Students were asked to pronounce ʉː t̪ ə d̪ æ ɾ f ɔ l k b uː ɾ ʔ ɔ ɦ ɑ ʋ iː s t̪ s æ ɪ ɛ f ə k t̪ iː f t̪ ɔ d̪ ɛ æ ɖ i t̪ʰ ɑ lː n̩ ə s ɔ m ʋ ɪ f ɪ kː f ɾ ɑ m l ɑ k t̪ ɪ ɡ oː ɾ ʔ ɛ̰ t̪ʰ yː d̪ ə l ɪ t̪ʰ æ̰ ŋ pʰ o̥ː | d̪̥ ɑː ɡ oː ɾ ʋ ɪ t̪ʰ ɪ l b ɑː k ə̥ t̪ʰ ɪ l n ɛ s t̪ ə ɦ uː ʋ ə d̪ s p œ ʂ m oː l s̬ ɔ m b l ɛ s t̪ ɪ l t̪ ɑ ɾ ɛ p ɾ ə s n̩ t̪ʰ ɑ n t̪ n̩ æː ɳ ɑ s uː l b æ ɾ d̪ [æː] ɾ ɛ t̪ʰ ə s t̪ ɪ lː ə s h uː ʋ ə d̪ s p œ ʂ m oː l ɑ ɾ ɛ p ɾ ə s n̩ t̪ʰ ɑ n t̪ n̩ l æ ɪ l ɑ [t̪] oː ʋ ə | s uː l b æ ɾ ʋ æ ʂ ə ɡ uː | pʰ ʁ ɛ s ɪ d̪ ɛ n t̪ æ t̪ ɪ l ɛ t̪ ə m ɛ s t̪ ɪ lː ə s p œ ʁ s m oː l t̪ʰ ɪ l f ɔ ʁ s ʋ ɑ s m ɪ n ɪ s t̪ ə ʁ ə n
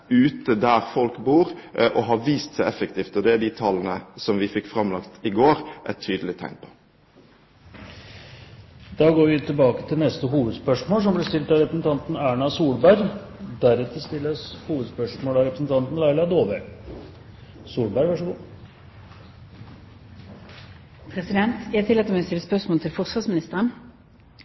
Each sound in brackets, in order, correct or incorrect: incorrect: æ, incorrect: d̪

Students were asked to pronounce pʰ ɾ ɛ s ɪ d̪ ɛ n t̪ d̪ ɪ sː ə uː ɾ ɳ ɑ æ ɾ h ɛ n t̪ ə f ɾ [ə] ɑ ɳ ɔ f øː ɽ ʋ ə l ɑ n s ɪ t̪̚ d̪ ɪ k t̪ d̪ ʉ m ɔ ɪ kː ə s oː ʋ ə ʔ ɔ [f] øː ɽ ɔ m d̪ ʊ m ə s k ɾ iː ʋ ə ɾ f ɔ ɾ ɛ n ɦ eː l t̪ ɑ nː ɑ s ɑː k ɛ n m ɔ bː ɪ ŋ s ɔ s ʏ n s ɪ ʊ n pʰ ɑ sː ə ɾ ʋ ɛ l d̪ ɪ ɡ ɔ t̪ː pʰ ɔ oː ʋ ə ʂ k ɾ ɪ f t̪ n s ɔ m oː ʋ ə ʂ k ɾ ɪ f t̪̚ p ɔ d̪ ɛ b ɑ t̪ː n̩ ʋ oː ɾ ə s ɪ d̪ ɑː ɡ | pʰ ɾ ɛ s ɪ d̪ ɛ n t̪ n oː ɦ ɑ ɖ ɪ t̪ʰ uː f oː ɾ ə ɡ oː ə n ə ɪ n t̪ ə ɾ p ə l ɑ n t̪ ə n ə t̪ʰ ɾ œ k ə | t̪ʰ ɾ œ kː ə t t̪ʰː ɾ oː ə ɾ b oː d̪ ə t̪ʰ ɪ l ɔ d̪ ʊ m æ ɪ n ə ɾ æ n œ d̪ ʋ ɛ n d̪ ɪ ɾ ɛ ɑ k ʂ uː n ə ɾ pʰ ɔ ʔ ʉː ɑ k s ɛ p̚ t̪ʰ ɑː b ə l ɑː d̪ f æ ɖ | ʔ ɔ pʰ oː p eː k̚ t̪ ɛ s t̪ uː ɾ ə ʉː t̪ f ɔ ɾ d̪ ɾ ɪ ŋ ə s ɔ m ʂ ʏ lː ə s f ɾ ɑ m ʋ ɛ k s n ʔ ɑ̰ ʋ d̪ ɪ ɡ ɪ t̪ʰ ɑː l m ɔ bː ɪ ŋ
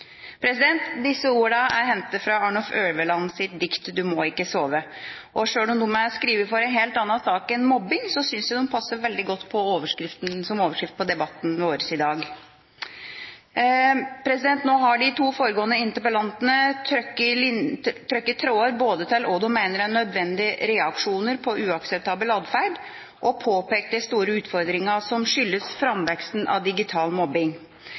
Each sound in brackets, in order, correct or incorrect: incorrect: ɑ, incorrect: ʂ

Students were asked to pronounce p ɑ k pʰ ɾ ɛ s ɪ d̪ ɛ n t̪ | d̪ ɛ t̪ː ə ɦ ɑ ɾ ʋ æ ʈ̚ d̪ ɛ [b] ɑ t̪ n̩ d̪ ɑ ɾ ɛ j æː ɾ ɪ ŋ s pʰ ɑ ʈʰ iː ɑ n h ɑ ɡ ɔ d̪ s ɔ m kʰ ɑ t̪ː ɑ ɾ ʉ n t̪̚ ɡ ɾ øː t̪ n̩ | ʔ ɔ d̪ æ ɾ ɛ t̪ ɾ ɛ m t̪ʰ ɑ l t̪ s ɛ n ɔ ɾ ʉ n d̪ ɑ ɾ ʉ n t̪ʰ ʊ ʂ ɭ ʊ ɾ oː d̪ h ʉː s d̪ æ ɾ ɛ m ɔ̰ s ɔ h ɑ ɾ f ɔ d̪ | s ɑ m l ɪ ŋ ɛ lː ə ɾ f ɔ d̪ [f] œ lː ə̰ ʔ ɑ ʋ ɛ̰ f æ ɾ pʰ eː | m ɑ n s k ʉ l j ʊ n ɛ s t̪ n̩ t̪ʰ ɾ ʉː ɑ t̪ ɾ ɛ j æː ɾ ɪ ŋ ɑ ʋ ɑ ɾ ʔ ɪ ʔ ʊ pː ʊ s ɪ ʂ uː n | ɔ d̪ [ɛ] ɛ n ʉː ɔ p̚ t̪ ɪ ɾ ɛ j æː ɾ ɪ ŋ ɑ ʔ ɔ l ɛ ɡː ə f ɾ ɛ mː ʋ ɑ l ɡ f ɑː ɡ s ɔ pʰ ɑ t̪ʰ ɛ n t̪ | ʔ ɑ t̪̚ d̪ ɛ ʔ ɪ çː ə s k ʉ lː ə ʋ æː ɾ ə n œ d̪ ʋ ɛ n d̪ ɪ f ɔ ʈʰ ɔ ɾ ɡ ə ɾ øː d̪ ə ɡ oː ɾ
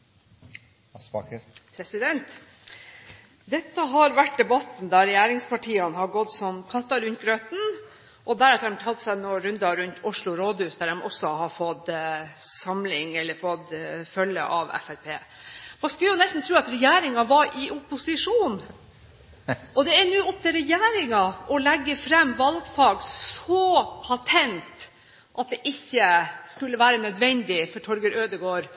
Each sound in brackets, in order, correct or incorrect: correct, correct, correct

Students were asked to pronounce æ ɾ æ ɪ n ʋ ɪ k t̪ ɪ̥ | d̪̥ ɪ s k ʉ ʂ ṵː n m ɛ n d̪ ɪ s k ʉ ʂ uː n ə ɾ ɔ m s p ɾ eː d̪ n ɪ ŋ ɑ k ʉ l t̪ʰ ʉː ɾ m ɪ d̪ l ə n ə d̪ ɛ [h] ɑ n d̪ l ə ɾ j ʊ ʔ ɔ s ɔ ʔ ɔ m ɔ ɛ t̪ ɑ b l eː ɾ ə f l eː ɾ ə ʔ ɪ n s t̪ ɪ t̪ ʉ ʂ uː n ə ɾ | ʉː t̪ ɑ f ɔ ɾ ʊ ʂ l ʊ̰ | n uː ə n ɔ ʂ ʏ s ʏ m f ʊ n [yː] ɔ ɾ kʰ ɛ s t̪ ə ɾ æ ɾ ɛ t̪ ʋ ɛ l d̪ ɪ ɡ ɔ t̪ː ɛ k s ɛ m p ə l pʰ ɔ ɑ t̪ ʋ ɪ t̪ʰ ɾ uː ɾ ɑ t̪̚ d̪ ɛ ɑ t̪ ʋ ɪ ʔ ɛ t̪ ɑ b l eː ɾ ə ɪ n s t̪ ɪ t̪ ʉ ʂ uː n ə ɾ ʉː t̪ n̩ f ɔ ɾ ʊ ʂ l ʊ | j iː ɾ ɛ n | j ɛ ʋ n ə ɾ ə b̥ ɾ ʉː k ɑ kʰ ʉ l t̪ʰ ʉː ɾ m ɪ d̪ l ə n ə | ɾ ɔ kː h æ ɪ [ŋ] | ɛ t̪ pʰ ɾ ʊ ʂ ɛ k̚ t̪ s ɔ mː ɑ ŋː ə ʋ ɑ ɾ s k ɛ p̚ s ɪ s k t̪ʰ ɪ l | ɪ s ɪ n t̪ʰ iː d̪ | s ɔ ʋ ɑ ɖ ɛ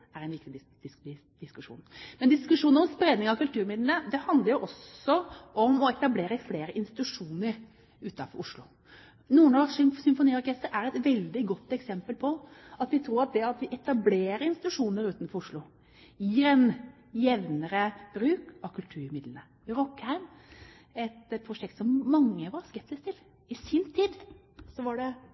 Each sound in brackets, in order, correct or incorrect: correct, incorrect: iː, incorrect: m

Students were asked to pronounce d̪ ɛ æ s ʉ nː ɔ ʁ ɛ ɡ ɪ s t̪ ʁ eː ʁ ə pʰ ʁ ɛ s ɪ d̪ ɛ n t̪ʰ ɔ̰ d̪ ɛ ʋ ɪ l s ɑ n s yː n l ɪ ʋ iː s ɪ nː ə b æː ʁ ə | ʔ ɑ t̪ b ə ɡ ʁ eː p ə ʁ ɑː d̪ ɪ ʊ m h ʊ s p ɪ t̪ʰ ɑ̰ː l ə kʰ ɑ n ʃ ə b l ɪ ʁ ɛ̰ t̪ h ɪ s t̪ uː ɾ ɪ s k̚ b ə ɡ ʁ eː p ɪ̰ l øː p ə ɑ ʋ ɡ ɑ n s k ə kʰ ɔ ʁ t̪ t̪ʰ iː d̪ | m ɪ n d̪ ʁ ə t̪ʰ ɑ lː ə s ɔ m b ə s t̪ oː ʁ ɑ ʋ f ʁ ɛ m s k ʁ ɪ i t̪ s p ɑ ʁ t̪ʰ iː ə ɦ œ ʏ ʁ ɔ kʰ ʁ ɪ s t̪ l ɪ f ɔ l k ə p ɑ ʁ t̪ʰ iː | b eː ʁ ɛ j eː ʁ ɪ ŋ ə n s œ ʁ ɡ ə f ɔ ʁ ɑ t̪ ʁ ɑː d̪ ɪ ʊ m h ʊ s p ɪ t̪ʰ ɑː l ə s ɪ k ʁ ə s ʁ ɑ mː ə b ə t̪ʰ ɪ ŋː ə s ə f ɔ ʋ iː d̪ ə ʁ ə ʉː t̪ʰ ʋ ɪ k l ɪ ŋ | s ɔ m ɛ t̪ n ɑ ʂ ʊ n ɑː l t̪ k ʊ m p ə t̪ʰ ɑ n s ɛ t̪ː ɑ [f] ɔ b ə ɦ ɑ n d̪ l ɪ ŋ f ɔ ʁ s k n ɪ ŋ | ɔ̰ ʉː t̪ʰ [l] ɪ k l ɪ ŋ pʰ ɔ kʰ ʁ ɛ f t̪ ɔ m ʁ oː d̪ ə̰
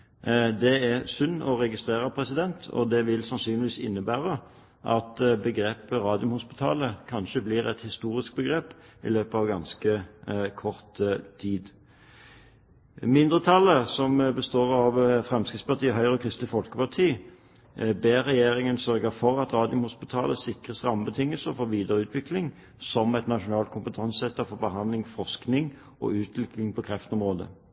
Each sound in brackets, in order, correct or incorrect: correct, correct

